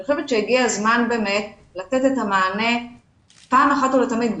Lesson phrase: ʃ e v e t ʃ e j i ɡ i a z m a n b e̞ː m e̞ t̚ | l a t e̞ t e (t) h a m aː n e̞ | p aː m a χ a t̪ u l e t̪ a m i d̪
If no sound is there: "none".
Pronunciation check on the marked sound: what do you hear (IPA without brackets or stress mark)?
t